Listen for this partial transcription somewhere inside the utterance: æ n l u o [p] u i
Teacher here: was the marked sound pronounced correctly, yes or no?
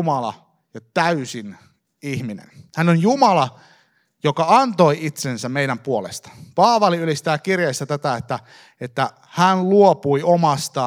yes